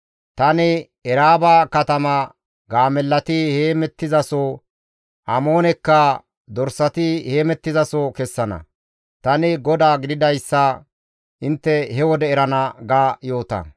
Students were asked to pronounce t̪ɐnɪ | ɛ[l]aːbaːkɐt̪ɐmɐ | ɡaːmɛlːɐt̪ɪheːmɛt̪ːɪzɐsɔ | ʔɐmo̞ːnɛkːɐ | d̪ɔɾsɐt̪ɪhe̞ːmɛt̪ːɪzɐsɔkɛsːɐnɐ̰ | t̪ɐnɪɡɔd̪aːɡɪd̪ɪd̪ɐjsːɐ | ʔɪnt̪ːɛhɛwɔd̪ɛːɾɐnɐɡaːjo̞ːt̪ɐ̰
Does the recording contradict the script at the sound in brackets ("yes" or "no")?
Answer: yes